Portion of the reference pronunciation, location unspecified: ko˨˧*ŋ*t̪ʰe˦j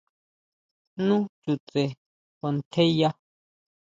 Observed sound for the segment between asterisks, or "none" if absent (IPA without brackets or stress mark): n